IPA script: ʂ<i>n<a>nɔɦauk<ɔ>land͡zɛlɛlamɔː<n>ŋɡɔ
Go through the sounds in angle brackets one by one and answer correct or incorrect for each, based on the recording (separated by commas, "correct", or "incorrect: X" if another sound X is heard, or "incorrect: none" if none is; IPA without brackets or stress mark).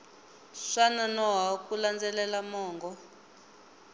incorrect: a, correct, incorrect: u, incorrect: none